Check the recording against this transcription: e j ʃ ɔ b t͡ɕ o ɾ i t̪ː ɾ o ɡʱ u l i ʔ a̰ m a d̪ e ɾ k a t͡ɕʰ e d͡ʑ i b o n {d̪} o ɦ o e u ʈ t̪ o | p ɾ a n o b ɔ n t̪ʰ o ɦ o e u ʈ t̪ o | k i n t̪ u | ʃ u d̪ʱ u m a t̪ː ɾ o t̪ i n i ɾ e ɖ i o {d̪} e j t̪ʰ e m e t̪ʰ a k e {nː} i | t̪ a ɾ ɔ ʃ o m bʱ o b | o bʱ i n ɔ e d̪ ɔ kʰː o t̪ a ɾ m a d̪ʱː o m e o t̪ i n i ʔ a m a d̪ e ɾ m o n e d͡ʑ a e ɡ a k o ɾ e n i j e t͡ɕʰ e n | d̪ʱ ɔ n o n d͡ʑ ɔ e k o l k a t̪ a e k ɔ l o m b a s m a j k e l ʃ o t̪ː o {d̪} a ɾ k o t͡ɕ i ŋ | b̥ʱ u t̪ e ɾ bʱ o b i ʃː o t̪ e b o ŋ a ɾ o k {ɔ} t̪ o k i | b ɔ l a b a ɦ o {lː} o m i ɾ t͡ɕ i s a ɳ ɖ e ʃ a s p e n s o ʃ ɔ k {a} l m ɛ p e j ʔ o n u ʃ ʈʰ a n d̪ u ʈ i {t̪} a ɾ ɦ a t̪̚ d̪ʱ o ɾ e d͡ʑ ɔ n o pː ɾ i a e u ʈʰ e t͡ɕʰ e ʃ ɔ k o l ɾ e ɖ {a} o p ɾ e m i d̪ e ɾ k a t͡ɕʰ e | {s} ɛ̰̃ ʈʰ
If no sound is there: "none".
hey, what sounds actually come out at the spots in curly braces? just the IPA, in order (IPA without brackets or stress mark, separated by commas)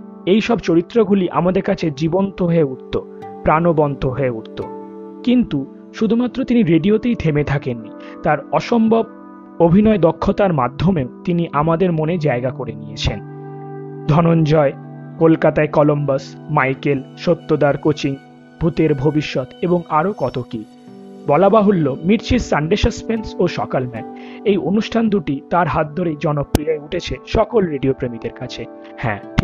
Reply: t̪, t̪, nː, d̪, ɔ, lː, a, t̪, i, h